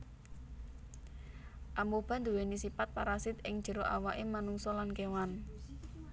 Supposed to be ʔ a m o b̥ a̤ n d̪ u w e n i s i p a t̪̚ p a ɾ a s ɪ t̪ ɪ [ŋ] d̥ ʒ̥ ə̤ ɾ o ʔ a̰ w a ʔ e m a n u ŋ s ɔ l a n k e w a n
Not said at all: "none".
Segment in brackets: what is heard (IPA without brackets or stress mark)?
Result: ŋ